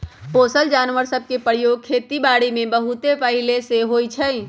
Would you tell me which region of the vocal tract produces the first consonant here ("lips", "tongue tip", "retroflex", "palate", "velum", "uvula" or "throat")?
lips